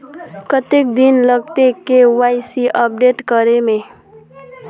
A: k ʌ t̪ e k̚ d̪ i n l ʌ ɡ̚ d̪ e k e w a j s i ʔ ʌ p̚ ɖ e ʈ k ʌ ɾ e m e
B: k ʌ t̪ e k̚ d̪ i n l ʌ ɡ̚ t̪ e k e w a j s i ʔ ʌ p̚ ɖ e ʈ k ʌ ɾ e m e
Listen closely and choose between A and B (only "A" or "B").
B